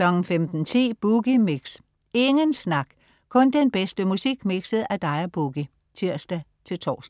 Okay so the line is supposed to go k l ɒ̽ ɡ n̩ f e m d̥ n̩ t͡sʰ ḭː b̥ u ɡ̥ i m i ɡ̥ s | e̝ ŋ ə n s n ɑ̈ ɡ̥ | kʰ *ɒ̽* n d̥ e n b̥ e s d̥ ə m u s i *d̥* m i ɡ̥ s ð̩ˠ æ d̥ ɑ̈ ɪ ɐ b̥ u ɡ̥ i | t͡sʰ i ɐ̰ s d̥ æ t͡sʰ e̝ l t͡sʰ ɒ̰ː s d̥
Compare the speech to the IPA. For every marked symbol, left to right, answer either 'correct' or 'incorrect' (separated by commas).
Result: incorrect, incorrect